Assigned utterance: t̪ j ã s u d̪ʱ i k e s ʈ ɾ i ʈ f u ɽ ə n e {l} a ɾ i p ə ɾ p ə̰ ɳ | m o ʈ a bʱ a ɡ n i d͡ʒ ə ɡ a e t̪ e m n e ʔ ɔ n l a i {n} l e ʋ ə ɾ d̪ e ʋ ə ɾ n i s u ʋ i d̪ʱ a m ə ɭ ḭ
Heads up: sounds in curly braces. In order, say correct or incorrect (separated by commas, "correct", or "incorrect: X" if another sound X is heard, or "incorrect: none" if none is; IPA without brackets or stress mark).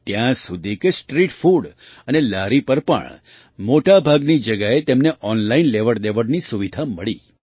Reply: correct, correct